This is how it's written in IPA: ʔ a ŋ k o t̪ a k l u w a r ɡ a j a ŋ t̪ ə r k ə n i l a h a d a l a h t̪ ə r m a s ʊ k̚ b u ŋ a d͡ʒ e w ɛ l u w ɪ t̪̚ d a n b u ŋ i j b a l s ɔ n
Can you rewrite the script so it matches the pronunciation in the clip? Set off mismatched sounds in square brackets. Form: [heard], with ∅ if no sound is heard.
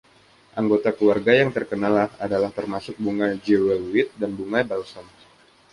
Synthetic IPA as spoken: ʔ a ŋ [ɡ] o t̪ a k l u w a r ɡ a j a ŋ t̪ ə r k ə n [a] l a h a d a l a h t̪ ə r m a s ʊ k̚ b u ŋ a d͡ʒ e w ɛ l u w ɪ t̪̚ d a n b u ŋ [a] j b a l s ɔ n